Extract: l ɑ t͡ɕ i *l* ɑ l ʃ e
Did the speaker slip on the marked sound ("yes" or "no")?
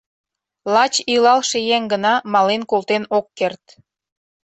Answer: no